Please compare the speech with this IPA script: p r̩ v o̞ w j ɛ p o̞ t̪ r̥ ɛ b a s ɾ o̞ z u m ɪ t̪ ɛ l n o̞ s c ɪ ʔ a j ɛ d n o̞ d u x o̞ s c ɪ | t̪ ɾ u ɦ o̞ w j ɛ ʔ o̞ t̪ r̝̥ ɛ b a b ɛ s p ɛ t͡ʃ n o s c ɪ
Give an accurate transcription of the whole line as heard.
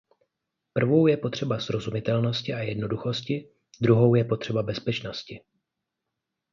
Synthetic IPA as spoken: p r̩ v o̞ w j ɛ p o̞ t̪ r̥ ɛ b a s ɾ o̞ z u m ɪ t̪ ɛ l n o̞ s c ɪ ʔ a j ɛ d n o̞ d u x o̞ s c ɪ | d̪ ɾ u ɦ o̞ w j ɛ p o̞ t̪ r̝̥ ɛ b a b ɛ s p ɛ t͡ʃ n o s c ɪ